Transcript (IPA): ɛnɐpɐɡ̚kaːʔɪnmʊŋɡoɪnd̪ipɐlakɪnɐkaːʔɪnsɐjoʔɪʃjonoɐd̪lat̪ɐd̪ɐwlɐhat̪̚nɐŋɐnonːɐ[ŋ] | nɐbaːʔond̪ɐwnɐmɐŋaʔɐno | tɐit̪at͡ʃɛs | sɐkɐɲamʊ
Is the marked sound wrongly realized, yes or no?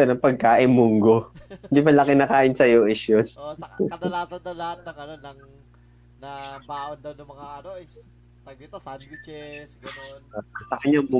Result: no